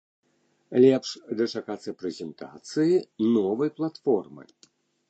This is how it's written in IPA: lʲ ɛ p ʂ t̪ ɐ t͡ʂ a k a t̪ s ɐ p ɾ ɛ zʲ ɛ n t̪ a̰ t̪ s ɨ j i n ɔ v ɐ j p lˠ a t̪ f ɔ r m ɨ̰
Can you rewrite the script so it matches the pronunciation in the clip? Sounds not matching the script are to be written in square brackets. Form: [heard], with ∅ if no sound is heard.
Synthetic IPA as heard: lʲ ɛ p ʂ [d̪] ɐ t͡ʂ a k a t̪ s ɐ p ɾ ɛ zʲ ɛ n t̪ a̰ t̪ s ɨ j i n ɔ v ɐ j p lˠ a t̪ f ɔ r m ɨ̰

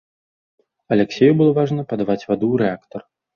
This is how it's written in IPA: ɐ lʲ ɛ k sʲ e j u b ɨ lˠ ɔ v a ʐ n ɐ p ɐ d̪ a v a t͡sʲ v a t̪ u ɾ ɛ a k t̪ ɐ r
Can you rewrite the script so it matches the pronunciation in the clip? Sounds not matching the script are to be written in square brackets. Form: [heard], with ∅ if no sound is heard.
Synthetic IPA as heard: ɐ lʲ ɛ k sʲ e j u b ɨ lˠ ɔ v a ʐ n ɐ p ɐ d̪ a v a t͡sʲ v a [d̪] u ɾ ɛ a k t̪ ɐ r

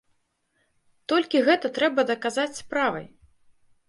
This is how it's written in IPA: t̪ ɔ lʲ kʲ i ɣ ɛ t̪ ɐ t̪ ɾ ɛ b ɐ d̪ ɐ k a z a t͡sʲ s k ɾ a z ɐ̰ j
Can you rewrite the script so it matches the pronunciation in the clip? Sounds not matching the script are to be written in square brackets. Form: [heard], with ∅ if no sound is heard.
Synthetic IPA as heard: t̪ ɔ lʲ kʲ i ɣ ɛ t̪ ɐ t̪ ɾ ɛ b ɐ d̪ ɐ k a z a t͡sʲ s [p] ɾ a [v] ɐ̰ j

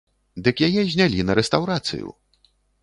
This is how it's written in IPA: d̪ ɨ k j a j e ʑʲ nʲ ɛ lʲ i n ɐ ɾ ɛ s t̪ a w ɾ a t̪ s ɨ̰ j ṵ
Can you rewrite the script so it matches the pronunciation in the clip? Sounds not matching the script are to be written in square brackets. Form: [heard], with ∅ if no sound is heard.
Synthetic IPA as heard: d̪ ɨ k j a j [ɛ] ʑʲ nʲ [a] lʲ i n ɐ ɾ ɛ s t̪ a w ɾ a t̪ s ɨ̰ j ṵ

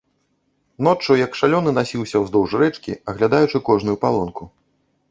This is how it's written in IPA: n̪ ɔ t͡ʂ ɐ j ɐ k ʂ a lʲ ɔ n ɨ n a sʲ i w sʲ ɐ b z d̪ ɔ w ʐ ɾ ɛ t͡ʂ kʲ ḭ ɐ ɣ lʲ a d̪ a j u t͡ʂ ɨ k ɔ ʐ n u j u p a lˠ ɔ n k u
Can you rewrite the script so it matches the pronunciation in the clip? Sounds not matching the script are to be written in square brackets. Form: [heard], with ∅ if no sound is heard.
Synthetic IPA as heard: n̪ ɔ t͡ʂ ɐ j ɐ k ʂ a lʲ ɔ n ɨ n a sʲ i w sʲ ɐ [w] z d̪ ɔ w ʐ ɾ ɛ t͡ʂ kʲ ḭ ɐ ɣ lʲ a d̪ a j u t͡ʂ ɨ k ɔ ʐ n u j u p a lˠ ɔ n k u

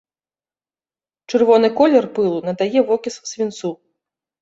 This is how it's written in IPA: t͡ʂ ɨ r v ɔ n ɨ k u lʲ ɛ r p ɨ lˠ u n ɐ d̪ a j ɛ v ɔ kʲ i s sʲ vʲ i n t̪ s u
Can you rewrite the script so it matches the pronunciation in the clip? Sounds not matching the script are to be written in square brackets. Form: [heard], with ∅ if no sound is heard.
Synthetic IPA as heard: t͡ʂ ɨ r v ɔ n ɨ k [ɔ] lʲ ɛ r p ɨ lˠ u n ɐ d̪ a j ɛ v ɔ kʲ i s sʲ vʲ i n t̪ s u

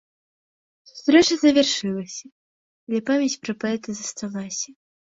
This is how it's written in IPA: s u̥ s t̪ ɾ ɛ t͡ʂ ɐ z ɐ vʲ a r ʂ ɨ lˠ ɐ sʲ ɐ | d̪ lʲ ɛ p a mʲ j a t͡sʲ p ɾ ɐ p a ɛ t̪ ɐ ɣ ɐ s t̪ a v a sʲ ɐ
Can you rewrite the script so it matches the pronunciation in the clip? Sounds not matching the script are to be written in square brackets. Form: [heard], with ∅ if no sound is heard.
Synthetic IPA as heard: s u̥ s t̪ ɾ ɛ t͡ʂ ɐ z ɐ vʲ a r ʂ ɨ lˠ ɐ sʲ ɐ | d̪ lʲ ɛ p a mʲ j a t͡sʲ p ɾ ɐ p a ɛ t̪ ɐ [z] ɐ s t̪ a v a sʲ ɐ

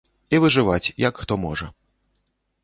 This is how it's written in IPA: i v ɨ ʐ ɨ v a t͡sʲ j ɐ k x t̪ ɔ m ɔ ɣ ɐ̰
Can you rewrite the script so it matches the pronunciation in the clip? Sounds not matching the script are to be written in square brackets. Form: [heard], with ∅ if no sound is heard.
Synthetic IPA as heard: i v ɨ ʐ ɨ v a t͡sʲ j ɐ k x t̪ ɔ m ɔ [ʐ] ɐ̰

